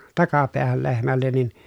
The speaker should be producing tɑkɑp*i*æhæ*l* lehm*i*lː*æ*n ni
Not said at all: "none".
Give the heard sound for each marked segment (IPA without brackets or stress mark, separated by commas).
e, l, æ, e